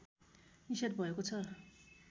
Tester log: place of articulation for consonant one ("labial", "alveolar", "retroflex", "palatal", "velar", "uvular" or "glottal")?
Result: alveolar